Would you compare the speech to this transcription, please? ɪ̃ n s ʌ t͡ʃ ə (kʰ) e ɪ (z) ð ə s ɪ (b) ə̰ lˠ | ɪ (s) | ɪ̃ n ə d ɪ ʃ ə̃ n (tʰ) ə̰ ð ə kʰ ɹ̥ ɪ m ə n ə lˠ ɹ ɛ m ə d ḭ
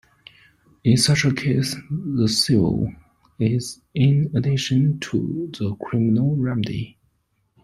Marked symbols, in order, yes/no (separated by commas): yes, no, no, no, yes